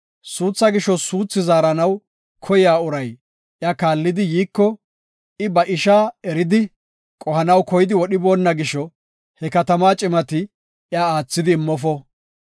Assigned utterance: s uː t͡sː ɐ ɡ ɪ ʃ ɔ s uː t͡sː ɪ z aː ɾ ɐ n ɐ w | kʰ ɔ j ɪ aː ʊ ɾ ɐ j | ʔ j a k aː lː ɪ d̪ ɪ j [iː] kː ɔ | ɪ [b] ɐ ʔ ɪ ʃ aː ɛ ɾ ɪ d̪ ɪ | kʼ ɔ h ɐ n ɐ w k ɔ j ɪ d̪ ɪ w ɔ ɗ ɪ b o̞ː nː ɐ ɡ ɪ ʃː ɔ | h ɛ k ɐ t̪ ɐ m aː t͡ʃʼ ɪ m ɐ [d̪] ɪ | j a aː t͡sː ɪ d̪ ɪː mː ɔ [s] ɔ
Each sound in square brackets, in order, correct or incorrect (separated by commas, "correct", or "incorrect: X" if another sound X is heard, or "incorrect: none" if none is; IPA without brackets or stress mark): correct, correct, incorrect: t̪, incorrect: f